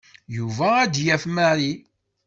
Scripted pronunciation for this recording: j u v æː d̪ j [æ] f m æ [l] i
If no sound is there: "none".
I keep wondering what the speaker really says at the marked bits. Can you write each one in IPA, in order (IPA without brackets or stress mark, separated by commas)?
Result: æ, ɾ